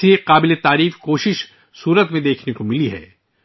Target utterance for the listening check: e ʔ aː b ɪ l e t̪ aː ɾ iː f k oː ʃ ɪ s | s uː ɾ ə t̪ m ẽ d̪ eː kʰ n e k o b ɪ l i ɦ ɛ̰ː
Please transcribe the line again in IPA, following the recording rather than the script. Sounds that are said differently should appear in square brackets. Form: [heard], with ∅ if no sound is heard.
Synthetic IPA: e [q] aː b ɪ l e t̪ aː ɾ iː f k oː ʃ ɪ [ʃ] | s uː ɾ ə t̪ m ẽ d̪ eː kʰ n e k o [m] ɪ l i ɦ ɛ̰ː